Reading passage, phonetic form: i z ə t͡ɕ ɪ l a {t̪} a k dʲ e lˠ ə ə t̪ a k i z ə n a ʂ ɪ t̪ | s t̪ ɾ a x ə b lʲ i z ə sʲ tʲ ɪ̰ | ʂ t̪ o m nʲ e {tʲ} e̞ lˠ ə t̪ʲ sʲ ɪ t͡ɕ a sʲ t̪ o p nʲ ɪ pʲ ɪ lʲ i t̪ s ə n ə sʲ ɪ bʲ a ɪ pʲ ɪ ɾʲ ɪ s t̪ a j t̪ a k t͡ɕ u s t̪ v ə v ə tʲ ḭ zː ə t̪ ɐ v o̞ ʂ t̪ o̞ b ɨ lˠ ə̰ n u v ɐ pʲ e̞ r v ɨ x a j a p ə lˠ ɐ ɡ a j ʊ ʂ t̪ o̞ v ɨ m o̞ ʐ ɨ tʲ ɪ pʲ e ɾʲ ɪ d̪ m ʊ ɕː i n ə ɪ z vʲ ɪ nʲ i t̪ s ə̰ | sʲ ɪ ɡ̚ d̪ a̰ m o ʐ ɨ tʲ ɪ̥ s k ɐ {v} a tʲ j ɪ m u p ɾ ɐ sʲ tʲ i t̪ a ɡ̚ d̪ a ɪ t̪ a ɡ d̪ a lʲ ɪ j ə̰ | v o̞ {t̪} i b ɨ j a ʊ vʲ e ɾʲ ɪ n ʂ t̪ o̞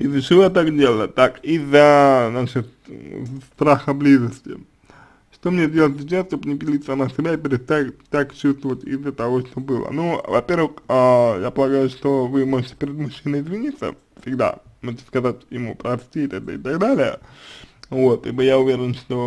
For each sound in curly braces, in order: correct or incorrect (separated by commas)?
correct, incorrect, incorrect, correct